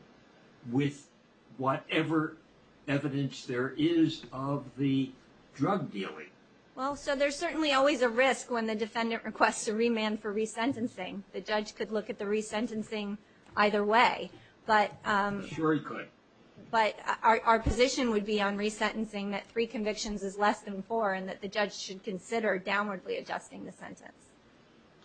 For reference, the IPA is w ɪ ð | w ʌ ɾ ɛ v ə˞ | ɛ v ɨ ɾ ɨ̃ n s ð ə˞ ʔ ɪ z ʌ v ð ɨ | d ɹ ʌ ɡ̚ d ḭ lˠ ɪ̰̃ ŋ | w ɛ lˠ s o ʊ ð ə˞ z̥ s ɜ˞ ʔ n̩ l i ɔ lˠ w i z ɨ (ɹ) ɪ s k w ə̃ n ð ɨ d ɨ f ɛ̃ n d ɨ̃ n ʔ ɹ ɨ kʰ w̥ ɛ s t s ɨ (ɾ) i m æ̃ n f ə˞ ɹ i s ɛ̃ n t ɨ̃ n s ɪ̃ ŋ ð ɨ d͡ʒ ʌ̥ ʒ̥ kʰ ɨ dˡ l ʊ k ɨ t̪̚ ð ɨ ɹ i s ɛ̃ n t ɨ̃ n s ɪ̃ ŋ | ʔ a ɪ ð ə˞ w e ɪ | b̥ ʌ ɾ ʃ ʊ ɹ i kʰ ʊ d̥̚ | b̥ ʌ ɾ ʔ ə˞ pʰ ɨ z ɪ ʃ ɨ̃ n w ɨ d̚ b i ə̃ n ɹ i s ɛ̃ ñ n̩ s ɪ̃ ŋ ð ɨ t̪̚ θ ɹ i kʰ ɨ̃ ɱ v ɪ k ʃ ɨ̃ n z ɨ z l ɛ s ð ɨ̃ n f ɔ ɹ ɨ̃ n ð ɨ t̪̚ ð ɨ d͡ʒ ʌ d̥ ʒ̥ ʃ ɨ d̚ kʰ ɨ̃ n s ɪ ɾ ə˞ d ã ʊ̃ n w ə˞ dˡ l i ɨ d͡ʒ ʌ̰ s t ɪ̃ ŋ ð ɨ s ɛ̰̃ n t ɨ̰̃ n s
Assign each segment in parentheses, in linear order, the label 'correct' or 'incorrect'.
correct, incorrect: ɹ

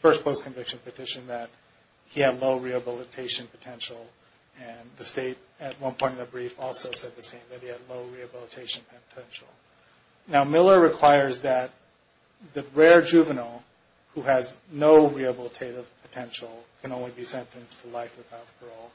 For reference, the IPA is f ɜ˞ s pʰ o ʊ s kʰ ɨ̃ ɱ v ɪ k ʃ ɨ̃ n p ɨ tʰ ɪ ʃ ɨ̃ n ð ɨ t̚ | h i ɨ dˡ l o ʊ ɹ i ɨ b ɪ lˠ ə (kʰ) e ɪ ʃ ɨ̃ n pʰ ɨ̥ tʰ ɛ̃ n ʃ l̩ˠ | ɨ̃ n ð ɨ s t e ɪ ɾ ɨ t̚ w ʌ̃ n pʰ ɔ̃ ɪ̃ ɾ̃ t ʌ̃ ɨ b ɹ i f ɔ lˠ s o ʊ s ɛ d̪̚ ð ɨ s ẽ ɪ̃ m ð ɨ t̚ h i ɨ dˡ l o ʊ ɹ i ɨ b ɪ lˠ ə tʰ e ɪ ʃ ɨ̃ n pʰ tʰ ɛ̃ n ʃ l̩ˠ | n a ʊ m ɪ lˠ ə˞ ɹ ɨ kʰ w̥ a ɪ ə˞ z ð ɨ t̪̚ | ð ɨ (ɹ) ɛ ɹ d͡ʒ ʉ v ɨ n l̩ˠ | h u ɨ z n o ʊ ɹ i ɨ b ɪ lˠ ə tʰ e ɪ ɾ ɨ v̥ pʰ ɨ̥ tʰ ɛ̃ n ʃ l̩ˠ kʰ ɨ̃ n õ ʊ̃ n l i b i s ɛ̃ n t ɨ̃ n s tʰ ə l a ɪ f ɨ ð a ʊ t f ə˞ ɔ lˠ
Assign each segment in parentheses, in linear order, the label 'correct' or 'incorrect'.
incorrect: tʰ, correct

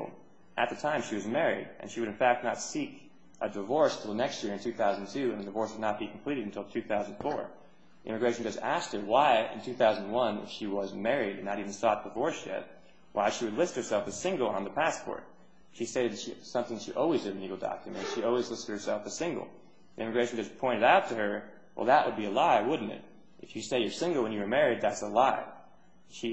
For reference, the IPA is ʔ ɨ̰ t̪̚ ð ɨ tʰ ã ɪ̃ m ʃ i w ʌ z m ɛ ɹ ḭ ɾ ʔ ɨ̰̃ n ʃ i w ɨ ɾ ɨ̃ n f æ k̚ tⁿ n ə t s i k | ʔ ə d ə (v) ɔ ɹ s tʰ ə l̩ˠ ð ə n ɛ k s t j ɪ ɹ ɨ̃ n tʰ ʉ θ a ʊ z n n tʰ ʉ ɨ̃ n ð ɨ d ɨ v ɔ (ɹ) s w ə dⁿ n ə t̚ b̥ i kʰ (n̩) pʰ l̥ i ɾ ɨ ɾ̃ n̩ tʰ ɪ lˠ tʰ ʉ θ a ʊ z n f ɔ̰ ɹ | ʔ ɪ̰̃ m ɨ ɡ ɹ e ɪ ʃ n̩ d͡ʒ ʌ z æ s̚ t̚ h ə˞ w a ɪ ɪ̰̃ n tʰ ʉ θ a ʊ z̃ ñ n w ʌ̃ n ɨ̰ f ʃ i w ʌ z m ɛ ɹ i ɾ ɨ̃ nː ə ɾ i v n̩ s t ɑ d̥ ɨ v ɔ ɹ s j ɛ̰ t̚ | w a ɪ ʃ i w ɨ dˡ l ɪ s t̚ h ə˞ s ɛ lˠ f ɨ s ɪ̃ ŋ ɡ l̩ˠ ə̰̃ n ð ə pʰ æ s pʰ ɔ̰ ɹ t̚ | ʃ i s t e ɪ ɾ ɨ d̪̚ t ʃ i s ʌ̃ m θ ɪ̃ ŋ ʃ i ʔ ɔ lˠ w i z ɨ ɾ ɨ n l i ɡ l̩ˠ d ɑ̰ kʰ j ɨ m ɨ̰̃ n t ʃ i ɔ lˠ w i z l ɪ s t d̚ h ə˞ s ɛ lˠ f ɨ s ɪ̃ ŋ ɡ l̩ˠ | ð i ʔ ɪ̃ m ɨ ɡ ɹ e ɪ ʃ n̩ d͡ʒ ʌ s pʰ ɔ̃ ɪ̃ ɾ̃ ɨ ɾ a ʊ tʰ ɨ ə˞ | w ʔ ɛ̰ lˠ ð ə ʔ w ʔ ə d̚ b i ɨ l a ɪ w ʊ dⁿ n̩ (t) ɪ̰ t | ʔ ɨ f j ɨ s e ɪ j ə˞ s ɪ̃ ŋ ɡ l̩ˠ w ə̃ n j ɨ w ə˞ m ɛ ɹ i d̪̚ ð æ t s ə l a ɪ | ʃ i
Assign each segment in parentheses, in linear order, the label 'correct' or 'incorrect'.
correct, correct, incorrect: m̩, correct

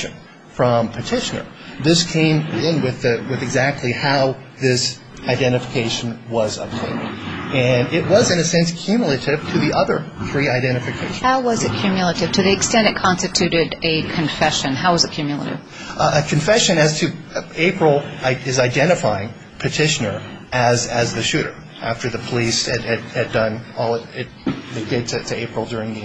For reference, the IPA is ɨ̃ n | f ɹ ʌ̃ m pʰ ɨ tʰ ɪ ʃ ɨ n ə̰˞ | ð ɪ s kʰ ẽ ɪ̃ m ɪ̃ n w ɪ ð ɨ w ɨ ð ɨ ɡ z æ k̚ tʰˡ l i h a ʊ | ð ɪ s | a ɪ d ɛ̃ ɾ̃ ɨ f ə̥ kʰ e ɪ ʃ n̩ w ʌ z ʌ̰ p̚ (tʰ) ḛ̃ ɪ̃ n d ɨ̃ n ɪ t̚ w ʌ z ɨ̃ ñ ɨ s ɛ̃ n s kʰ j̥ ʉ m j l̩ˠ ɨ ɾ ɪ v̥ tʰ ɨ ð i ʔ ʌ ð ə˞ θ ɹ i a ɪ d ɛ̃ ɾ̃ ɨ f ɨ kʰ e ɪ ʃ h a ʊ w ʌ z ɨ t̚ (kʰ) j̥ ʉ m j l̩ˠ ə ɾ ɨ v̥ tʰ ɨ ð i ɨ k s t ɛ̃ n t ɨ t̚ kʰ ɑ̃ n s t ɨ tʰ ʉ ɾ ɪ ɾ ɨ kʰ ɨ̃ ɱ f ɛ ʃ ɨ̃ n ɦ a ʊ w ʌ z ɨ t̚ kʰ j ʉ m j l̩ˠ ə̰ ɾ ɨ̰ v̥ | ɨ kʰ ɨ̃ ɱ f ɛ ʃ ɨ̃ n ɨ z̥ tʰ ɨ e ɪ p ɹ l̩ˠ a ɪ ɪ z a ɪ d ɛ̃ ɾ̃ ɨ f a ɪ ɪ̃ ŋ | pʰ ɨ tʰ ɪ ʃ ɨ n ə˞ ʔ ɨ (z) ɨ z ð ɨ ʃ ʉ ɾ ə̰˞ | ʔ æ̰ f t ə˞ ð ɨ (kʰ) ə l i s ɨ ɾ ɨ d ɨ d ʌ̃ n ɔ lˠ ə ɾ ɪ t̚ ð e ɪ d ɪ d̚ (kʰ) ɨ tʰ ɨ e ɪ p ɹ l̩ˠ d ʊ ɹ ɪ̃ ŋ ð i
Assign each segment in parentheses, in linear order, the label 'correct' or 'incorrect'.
correct, correct, correct, incorrect: pʰ, incorrect: tʰ

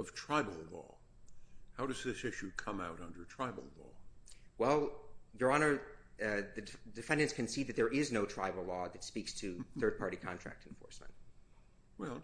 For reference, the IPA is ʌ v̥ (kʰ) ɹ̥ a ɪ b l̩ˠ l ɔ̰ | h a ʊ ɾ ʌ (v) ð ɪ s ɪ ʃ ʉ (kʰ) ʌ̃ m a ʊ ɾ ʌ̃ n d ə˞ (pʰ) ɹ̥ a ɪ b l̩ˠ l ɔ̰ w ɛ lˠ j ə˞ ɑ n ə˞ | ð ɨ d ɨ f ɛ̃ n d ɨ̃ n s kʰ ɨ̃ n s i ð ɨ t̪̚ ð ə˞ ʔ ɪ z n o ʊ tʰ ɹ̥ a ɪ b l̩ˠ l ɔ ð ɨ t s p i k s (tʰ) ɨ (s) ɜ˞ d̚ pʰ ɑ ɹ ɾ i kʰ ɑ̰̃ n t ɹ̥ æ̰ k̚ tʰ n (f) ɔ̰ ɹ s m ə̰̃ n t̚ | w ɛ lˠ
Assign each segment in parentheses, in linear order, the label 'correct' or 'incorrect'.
incorrect: tʰ, incorrect: z, correct, incorrect: tʰ, correct, incorrect: θ, correct

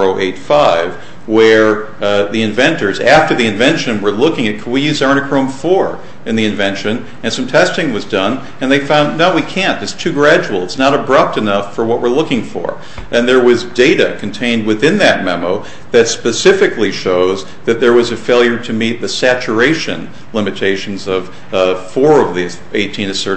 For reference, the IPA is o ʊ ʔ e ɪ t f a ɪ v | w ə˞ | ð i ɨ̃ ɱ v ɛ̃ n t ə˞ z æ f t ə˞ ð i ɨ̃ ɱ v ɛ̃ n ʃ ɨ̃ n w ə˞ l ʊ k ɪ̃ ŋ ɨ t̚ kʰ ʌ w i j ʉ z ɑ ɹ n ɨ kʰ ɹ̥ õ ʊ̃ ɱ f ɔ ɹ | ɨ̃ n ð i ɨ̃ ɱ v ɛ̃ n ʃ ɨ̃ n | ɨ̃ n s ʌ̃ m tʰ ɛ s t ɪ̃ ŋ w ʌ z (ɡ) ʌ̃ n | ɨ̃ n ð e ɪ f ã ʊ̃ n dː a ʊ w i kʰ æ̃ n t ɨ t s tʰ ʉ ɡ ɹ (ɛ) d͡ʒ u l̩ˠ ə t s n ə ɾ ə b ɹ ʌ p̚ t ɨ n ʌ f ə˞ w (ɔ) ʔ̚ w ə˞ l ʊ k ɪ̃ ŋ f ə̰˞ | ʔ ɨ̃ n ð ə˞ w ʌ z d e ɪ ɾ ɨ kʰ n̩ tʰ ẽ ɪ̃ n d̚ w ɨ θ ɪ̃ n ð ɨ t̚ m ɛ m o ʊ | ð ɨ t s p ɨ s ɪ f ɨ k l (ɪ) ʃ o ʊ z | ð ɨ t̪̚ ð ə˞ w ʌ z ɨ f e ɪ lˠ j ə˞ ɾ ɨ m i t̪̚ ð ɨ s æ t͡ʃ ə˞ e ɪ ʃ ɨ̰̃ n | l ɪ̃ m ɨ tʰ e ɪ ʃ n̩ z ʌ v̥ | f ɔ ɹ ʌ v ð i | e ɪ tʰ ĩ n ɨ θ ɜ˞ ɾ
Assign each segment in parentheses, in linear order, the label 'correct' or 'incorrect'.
incorrect: d, incorrect: æ, incorrect: ʌ, incorrect: i

